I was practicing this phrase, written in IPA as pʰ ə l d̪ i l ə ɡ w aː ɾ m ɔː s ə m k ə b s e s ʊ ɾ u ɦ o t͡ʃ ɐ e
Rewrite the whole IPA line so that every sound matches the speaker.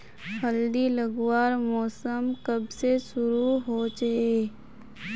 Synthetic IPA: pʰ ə l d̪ i l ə ɡ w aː ɾ m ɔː s ə m k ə b s e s ʊ ɾ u ɦ o t͡ʃ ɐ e